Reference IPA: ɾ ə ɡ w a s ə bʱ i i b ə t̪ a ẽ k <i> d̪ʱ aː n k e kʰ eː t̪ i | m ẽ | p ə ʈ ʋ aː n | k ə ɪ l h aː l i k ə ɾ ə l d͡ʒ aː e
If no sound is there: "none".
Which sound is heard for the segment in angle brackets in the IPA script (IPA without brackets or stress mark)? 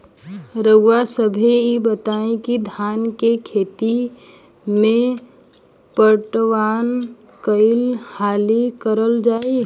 i